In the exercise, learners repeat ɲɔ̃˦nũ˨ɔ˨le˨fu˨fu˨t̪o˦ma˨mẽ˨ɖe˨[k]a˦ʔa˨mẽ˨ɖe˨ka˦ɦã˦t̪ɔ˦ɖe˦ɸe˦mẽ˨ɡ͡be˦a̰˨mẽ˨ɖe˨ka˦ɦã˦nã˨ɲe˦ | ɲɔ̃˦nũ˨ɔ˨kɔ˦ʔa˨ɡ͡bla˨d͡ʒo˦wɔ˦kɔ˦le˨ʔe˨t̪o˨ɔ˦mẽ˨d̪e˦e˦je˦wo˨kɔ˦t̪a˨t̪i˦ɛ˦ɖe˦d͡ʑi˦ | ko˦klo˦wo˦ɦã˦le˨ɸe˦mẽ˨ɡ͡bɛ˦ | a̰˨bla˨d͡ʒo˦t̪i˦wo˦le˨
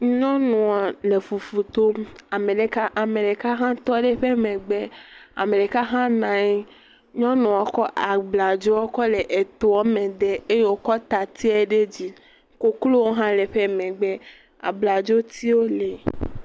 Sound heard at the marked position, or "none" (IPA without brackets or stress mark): k